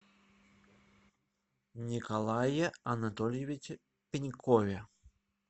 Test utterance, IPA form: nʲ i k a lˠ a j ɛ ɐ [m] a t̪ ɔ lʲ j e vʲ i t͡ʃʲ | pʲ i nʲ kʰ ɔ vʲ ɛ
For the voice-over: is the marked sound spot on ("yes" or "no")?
no